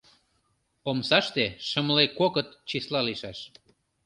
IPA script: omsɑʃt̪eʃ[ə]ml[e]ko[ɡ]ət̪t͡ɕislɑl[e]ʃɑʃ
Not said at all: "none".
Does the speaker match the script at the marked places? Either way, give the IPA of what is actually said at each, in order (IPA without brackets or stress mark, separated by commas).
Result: ə, e, k, i